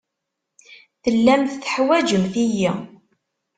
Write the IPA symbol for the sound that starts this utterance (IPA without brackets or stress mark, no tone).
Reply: θ